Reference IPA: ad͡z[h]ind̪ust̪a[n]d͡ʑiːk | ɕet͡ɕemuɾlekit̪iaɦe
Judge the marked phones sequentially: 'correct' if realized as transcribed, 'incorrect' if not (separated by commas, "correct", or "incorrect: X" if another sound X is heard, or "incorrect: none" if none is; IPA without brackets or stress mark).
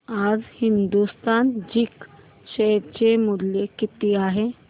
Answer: correct, correct